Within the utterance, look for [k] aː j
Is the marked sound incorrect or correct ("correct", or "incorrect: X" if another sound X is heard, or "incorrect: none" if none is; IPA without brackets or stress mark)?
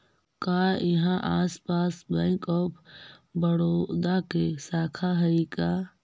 correct